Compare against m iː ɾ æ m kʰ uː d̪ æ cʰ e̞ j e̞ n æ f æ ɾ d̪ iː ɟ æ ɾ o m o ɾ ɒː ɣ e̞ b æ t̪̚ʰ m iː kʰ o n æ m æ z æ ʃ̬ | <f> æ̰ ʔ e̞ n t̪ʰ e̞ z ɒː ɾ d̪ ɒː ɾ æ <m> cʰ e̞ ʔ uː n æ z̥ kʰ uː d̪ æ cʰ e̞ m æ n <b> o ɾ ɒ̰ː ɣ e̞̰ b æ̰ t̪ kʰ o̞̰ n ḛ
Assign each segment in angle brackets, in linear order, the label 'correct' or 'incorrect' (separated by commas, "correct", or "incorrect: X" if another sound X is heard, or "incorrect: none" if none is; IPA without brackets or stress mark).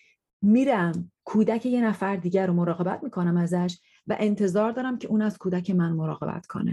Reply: incorrect: v, correct, incorrect: m